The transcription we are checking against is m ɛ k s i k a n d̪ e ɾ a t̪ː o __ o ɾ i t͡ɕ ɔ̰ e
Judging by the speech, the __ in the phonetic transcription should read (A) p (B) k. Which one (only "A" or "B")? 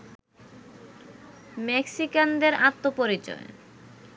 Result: A